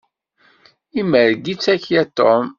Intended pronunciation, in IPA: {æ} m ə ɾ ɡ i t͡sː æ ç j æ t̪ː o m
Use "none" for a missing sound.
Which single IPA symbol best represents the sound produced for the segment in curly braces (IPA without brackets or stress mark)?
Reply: i